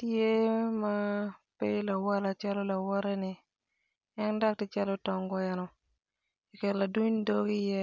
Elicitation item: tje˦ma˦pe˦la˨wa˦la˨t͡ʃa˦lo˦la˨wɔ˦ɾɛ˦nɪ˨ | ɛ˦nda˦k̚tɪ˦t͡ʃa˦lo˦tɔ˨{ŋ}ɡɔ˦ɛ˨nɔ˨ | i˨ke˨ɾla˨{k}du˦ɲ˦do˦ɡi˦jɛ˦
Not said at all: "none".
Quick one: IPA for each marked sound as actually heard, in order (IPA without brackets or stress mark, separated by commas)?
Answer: ŋ, none